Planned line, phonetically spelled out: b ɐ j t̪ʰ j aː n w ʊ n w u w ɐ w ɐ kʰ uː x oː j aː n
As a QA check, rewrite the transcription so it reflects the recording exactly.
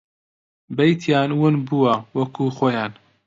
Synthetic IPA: b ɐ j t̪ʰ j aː n w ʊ n b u w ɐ w ɐ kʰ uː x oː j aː n